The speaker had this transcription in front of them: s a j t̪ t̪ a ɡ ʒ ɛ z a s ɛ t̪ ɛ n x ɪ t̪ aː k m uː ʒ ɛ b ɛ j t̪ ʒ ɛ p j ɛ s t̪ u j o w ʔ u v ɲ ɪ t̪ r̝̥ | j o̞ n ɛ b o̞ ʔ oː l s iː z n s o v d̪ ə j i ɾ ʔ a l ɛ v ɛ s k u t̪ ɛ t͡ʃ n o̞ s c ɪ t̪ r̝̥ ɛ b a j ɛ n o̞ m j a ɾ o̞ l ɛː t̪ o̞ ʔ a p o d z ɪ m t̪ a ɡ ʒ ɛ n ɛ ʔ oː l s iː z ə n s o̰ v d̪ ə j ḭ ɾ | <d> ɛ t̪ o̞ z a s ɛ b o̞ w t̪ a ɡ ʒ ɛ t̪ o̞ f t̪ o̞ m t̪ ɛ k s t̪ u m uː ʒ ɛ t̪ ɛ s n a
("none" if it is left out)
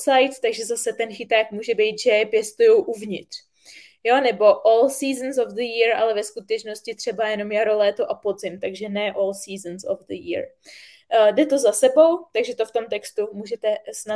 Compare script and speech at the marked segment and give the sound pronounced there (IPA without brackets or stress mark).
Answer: d